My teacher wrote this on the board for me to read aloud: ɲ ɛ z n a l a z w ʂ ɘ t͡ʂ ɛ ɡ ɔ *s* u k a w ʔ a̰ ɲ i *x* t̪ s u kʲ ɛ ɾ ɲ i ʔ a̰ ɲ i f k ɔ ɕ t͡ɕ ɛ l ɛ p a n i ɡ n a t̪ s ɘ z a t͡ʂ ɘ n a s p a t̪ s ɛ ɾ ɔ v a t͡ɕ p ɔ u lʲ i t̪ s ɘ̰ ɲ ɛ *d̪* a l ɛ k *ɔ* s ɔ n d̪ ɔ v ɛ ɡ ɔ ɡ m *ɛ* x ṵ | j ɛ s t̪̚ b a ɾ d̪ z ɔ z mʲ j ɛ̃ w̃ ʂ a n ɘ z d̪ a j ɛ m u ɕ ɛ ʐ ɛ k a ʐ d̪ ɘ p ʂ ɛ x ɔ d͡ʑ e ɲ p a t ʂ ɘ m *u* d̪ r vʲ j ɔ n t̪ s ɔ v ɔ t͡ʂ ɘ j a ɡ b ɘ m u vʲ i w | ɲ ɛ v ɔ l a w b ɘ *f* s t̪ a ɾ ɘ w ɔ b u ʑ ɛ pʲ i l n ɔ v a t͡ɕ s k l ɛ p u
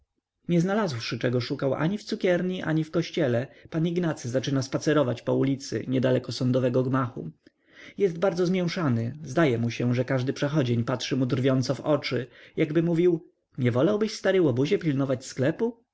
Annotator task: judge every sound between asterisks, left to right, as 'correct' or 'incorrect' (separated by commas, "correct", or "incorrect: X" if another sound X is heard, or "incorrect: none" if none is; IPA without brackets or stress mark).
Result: incorrect: ʂ, incorrect: f, correct, correct, incorrect: a, correct, incorrect: ɕ